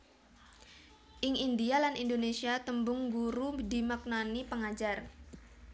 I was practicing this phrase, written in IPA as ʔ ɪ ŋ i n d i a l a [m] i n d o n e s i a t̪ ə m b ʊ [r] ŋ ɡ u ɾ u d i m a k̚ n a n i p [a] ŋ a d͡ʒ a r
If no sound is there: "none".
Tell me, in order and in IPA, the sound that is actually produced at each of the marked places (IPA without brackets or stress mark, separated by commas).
n, none, ə